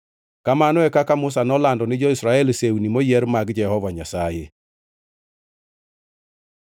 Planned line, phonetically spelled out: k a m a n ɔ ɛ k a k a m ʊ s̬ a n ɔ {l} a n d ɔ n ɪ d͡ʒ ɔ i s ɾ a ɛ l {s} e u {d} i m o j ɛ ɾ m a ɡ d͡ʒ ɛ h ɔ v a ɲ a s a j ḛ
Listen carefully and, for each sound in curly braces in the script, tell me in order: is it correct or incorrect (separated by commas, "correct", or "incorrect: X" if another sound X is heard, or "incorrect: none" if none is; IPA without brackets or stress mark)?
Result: correct, correct, incorrect: n